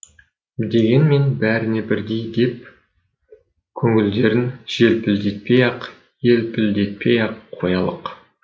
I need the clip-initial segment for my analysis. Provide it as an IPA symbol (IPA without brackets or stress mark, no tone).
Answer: d̪